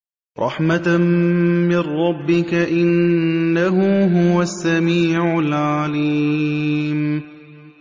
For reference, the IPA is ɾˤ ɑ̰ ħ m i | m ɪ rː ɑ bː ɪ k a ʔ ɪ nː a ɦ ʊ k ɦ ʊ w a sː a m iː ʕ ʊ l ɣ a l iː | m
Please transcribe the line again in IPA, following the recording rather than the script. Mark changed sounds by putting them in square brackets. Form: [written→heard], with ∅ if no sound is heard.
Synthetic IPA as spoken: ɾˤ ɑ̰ ħ m [i→a] | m ɪ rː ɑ bː ɪ k a ʔ ɪ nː a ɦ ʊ [k→∅] ɦ ʊ w a sː a m iː ʕ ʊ l [ɣ→ʕ] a l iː | m